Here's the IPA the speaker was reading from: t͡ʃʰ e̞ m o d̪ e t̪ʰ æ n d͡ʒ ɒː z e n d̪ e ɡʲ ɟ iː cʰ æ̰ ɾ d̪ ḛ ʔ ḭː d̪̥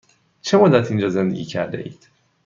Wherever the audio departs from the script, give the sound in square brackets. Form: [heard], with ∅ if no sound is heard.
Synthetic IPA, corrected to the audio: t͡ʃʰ e̞ m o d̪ [æ] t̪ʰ [i] n d͡ʒ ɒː z e n d̪ e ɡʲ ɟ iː cʰ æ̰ ɾ d̪ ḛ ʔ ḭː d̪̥

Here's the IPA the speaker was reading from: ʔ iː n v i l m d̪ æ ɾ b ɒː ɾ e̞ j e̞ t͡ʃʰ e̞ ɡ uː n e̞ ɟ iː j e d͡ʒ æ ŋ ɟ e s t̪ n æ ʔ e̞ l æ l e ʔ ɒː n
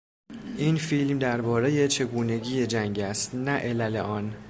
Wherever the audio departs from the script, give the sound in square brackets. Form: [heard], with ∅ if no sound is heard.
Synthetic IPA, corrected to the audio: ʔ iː n [f] i l m d̪ æ ɾ b ɒː ɾ e̞ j e̞ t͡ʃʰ e̞ ɡ uː n e̞ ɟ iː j e d͡ʒ æ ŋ ɟ [æ] s t̪ n æ ʔ e̞ l æ l e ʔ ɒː n

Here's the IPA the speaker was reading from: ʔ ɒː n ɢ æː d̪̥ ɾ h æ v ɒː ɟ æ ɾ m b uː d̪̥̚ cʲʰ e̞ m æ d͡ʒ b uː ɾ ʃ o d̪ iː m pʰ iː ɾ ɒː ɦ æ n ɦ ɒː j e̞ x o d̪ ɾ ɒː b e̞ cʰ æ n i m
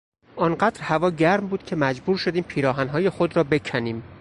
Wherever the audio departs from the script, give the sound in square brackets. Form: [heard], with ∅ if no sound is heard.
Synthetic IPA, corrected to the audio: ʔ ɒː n ɢ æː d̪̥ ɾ h æ v ɒː ɟ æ ɾ m b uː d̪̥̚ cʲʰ e̞ m æ d͡ʒ b uː ɾ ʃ o d̪ iː m pʰ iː ɾ ɒː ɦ æ n ɦ ɒː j e̞ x o d̪ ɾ ɒː b e̞ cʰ æ n [iː] m

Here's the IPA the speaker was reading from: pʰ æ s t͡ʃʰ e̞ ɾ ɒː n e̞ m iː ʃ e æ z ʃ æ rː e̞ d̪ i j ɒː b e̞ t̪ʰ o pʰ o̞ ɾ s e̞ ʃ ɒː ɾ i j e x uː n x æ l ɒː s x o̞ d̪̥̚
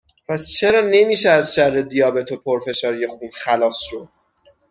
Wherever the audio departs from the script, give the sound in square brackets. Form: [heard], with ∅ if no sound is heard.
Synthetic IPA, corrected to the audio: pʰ æ s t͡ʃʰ e̞ ɾ ɒː n e̞ m iː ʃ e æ z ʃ æ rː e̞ d̪ i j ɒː b e̞ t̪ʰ o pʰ o̞ ɾ [f] e̞ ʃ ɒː ɾ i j e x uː n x æ l ɒː s [ʃ] o̞ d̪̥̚

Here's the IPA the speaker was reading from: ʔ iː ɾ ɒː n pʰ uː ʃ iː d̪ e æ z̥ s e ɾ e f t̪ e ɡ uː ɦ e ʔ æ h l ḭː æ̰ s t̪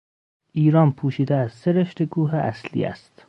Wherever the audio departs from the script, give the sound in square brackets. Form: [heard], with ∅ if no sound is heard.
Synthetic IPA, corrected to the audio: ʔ iː ɾ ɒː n pʰ uː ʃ iː d̪ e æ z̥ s e ɾ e [ʃ] t̪ e ɡ uː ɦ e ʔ æ [s] l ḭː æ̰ s t̪

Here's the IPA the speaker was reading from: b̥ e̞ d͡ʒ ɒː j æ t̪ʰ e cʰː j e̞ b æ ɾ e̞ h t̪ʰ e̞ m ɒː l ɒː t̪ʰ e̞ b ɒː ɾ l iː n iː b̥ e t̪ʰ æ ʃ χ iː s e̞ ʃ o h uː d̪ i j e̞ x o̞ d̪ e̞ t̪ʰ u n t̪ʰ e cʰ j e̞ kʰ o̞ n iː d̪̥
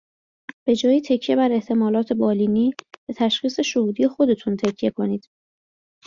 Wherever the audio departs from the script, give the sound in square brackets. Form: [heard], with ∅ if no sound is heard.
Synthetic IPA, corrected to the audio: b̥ e̞ d͡ʒ ɒː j [i] t̪ʰ e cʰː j e̞ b æ ɾ e̞ h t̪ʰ e̞ m ɒː l ɒː t̪ʰ e̞ b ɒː [∅] l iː n iː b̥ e t̪ʰ æ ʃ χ iː s e̞ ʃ o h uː d̪ i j e̞ x o̞ d̪ e̞ t̪ʰ u n t̪ʰ e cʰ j e̞ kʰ o̞ n iː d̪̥

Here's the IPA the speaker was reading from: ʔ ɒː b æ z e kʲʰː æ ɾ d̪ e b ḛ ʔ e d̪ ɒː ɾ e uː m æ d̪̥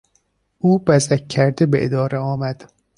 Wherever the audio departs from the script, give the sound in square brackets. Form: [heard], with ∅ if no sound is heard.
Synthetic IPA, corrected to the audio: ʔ [uː] b æ z [æ] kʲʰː æ ɾ d̪ e b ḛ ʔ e d̪ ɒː ɾ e [ɒː] m æ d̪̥

